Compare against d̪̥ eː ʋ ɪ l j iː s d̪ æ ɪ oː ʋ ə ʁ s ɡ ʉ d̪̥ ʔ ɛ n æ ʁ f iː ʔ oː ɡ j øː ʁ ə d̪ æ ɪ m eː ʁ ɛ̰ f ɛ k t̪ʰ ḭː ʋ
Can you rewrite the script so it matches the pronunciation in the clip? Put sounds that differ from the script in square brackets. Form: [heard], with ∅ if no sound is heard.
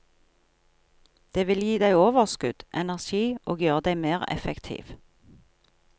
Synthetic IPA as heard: d̪̥ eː ʋ ɪ l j iː [∅] d̪ æ ɪ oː ʋ ə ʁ s [k] ʉ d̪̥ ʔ ɛ n æ ʁ [ʃ] iː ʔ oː ɡ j øː ʁ ə d̪ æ ɪ m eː ʁ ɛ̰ f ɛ k t̪ʰ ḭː ʋ